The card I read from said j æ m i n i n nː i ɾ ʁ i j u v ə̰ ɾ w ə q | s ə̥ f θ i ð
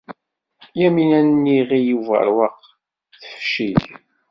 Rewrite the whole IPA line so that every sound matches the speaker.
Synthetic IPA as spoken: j æ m i n æ n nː i ʁ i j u v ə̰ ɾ w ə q | θ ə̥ f ʃ i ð